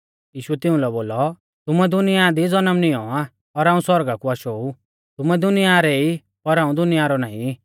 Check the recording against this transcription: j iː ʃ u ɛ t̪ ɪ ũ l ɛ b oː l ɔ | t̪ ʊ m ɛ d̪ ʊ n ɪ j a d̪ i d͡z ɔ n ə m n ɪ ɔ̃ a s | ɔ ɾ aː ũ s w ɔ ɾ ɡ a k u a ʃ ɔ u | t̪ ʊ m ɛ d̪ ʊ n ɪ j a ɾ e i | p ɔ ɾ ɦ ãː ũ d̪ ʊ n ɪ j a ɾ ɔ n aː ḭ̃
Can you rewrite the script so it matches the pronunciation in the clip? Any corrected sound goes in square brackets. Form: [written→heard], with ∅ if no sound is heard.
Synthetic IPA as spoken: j iː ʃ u ɛ t̪ ɪ ũ l ɛ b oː l ɔ | t̪ ʊ m ɛ d̪ ʊ n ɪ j a d̪ i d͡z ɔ n ə m n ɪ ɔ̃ a [s→∅] | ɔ ɾ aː ũ s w ɔ ɾ ɡ a k u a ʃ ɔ u | t̪ ʊ m ɛ d̪ ʊ n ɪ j a ɾ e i | p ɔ ɾ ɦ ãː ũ d̪ ʊ n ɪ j a ɾ ɔ n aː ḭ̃